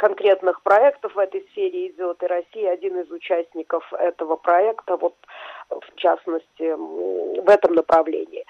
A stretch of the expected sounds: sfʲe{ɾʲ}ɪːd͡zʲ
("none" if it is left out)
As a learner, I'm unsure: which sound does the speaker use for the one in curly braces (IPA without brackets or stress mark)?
ɾʲ